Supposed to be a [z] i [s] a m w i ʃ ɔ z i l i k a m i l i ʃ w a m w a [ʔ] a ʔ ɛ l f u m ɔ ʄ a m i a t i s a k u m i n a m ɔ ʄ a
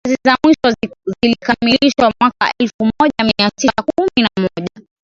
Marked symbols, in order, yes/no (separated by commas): yes, no, no